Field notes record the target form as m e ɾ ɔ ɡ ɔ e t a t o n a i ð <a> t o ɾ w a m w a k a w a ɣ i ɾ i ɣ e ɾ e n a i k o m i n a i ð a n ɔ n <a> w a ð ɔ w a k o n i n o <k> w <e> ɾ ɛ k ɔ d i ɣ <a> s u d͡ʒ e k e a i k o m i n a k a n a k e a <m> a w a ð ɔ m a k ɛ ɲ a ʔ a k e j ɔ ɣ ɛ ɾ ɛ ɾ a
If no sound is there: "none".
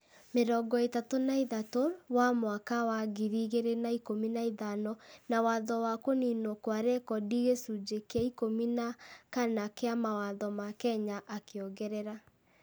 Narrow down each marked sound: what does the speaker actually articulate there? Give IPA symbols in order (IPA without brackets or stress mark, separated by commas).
a, a, k, a, e, m